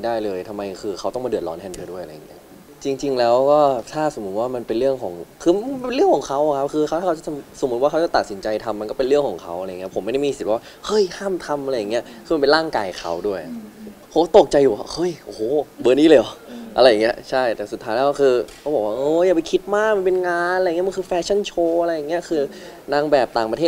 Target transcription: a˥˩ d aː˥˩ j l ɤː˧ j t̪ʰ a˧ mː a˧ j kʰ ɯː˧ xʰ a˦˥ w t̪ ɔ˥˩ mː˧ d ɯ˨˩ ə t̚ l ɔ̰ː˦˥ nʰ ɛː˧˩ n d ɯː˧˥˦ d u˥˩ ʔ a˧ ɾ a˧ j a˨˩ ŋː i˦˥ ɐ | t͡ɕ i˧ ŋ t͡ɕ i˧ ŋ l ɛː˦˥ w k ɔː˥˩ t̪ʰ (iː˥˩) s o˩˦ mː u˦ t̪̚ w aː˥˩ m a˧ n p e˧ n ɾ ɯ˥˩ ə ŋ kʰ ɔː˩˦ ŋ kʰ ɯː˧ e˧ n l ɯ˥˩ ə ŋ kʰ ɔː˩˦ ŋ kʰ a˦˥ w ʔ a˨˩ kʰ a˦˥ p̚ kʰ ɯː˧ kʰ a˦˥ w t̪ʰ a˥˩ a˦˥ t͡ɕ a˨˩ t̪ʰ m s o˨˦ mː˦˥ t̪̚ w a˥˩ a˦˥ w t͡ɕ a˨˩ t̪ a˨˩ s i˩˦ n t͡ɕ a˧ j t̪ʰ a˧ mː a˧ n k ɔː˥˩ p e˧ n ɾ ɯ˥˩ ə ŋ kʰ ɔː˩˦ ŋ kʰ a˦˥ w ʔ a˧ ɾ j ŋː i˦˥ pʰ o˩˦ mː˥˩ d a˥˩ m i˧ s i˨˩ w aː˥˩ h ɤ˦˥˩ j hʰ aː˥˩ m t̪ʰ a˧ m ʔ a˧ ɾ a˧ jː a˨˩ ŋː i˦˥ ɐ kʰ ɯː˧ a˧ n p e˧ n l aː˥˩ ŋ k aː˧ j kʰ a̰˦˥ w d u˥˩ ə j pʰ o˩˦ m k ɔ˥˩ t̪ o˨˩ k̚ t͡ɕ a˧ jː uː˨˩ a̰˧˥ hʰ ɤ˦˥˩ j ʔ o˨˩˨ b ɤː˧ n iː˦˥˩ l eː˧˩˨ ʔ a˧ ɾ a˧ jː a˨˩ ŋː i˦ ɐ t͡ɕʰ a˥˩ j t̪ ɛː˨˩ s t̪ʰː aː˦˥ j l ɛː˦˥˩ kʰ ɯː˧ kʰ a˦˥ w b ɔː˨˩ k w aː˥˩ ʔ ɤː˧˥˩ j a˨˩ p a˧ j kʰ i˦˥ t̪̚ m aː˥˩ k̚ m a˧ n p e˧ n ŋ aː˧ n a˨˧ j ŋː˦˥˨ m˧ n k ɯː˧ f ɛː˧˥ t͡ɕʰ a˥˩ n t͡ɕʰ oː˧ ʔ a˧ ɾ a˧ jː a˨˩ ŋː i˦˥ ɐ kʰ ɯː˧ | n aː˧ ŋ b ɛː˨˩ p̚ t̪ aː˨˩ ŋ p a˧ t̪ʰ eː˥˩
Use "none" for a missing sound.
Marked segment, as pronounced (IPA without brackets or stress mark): aː˥˩